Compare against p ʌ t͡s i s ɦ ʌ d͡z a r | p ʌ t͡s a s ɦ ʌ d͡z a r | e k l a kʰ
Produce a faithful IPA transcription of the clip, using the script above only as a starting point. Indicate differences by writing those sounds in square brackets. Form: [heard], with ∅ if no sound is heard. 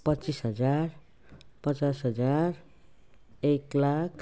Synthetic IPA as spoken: p ʌ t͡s i s ɦ ʌ d͡z a r | p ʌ t͡s a s ɦ ʌ d͡z a r | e k l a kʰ